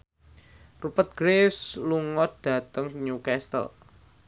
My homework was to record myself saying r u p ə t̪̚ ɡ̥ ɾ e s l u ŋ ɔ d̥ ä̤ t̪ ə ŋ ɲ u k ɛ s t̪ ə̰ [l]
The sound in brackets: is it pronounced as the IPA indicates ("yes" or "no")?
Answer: yes